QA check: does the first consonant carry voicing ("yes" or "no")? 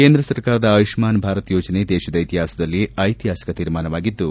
no